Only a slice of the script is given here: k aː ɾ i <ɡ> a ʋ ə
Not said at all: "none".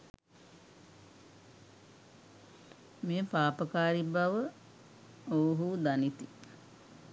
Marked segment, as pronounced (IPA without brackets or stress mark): b